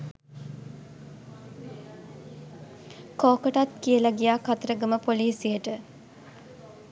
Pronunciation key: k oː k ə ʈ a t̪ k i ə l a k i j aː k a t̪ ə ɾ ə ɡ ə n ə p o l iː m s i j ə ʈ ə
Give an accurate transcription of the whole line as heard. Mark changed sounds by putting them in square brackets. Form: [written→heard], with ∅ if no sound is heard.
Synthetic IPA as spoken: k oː k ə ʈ a t̪ k i ə l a [k→ɡ] i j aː k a t̪ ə ɾ ə ɡ ə [n→m] ə p o l iː [m→∅] s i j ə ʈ ə